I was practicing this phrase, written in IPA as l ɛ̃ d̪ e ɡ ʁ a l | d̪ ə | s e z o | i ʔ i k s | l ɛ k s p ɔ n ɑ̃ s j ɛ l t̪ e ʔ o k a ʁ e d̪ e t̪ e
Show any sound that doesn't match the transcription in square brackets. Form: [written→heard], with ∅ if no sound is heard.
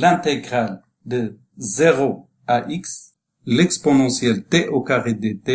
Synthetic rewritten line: l ɛ̃ [d̪→t̪] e ɡ ʁ a l | d̪ ə | [s→z] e [z→ʁ] o | [i→a] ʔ i k s | l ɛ k s p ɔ n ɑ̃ s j ɛ l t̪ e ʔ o k a ʁ e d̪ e t̪ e